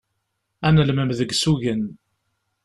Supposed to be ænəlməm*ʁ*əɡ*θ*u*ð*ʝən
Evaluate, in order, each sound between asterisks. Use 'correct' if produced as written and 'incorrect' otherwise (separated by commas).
incorrect, incorrect, incorrect